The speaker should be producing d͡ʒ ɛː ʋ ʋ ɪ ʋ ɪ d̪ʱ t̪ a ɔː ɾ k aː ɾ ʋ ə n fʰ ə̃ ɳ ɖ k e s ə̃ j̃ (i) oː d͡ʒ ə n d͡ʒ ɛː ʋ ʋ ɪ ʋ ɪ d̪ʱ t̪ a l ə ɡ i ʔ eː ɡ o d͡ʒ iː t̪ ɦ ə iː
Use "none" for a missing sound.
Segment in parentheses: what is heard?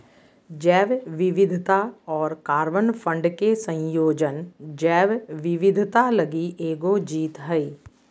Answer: j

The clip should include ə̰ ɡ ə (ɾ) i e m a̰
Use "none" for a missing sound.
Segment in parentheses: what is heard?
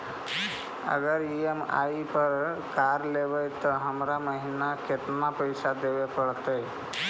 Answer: ɾ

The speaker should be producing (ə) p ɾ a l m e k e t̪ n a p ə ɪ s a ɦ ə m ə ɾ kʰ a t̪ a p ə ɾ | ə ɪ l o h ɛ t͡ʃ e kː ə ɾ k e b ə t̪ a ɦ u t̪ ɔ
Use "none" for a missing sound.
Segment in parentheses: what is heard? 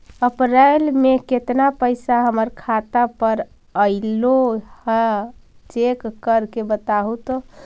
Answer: ə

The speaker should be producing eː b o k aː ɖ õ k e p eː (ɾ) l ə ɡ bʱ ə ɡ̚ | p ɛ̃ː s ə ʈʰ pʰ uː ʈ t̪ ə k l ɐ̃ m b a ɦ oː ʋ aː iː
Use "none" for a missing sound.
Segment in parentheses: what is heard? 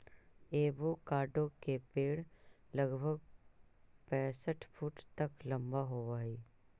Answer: ɽ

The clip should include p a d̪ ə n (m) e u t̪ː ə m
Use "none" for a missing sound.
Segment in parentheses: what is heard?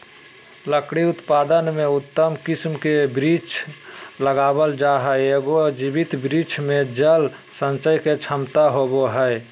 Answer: m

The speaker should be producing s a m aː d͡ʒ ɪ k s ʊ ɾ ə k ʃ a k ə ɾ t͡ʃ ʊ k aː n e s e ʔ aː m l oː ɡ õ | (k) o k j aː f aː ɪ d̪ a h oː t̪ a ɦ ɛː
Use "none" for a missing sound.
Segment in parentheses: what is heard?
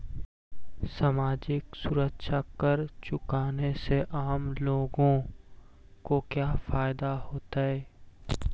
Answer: k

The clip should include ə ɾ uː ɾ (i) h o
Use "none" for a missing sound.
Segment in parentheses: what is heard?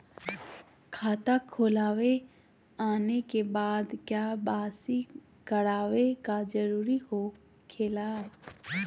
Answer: i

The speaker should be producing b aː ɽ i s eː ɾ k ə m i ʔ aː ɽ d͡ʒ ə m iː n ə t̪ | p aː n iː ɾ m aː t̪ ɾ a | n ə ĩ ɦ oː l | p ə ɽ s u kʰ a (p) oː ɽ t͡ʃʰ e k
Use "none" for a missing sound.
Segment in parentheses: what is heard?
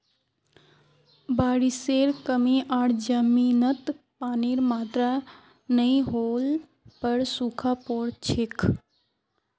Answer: p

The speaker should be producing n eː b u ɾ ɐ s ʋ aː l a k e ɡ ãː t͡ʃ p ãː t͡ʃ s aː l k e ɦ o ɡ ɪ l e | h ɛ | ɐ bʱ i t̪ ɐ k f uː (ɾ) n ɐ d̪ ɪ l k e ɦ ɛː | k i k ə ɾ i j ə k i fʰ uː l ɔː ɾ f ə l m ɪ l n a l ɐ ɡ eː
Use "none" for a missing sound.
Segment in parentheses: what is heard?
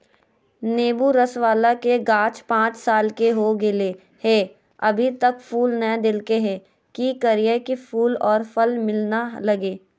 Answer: l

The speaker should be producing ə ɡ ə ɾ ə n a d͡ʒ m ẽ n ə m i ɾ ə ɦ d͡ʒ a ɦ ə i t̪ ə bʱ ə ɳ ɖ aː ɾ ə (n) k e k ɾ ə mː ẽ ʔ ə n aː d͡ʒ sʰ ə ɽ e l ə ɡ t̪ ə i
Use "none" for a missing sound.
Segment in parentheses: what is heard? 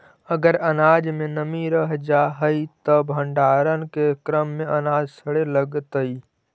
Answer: n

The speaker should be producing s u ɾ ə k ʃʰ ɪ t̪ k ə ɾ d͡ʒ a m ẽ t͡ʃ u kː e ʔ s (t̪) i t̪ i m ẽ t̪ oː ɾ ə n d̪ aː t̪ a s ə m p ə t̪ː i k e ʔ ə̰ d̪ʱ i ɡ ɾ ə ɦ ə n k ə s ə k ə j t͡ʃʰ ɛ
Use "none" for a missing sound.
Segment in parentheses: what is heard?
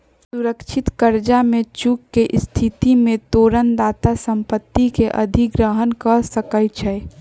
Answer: t̪ʰ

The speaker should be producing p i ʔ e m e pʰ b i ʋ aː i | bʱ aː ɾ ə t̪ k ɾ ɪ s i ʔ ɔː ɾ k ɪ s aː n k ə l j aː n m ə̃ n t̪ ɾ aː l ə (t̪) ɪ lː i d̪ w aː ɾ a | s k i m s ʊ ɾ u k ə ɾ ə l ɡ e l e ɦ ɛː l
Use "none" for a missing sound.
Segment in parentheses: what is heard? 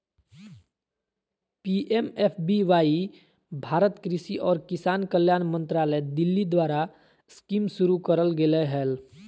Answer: d̪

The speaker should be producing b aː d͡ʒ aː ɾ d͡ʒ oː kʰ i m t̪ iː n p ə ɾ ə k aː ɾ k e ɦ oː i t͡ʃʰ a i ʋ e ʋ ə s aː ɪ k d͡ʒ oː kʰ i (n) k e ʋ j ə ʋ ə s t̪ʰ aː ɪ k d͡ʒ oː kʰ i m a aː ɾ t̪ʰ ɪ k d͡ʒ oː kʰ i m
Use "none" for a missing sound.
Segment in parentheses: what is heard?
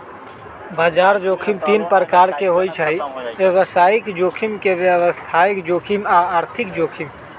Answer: m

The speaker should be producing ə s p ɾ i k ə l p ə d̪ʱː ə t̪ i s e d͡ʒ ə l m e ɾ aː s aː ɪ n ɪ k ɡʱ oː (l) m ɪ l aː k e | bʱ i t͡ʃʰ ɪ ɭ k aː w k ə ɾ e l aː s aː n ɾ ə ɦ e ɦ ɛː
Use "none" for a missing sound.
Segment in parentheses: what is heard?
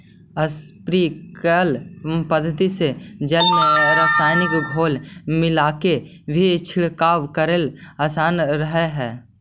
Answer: l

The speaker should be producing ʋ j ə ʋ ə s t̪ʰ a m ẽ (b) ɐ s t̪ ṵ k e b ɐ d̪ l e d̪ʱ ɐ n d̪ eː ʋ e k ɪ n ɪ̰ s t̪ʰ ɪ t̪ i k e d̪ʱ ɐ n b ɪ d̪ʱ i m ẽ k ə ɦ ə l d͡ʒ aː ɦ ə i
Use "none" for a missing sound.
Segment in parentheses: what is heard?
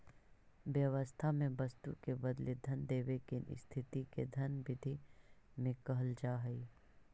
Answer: b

